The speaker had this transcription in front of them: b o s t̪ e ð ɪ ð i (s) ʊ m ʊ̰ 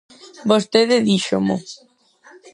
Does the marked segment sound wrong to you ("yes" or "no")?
yes